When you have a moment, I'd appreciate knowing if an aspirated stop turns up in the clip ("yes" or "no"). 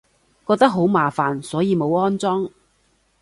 no